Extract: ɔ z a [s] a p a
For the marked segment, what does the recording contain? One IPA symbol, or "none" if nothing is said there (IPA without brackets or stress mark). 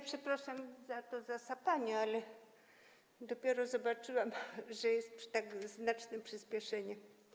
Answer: s